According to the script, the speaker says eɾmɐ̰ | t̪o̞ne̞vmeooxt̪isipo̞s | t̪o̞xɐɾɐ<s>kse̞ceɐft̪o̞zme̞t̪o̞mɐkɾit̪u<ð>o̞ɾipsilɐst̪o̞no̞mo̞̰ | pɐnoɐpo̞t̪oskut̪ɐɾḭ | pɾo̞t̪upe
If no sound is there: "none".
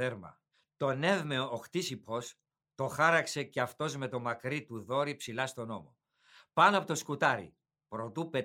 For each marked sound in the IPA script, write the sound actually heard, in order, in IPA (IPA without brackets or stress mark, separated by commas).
none, ð